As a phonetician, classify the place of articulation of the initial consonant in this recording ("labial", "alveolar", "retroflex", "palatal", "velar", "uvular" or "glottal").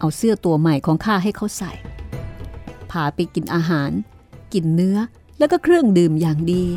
glottal